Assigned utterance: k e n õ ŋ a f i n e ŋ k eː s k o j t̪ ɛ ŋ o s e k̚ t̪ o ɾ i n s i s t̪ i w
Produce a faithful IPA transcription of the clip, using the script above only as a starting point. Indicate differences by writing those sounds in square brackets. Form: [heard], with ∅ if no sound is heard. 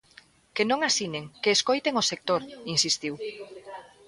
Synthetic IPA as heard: k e n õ ŋ a [s] i n e ŋ k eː s k o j t̪ [e] ŋ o s e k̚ t̪ o ɾ i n s i s t̪ i w